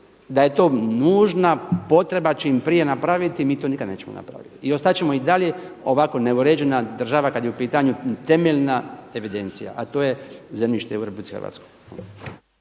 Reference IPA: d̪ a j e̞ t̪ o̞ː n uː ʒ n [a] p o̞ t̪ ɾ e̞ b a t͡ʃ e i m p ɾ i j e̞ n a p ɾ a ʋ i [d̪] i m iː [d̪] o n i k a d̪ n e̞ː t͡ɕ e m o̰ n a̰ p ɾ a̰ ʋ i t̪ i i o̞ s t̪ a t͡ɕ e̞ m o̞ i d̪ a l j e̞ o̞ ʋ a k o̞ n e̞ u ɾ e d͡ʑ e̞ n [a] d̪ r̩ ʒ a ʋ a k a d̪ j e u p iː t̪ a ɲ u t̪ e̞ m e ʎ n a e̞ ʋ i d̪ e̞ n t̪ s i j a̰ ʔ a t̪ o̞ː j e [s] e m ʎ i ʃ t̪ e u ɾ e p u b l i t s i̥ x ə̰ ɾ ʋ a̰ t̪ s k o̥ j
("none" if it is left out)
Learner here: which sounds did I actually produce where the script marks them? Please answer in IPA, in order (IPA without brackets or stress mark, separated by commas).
a, t̪, t̪, a, z